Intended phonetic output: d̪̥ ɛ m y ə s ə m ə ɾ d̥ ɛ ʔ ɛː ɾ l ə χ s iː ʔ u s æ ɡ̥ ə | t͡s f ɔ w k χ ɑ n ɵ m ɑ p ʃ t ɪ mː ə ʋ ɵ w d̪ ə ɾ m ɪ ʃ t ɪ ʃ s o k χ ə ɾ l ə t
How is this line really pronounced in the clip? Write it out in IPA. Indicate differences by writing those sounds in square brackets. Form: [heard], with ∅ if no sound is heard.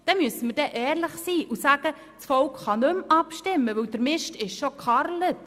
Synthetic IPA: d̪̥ ɛ m y ə s ə m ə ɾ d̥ ɛ ʔ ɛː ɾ l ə χ s iː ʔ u s æ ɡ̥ ə | t͡s f ɔ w k χ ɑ n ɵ m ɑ p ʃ t ɪ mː ə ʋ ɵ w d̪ ə ɾ m ɪ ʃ t ɪ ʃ [ʃ] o k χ [ɑ] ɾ l ə t